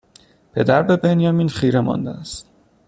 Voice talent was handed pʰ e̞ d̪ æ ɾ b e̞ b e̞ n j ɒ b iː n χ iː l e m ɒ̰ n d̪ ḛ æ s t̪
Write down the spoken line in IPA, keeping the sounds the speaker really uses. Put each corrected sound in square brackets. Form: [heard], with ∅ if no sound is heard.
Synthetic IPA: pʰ e̞ d̪ æ ɾ b e̞ b e̞ n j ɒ [m] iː n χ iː [ɾ] e m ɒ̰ n d̪ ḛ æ s t̪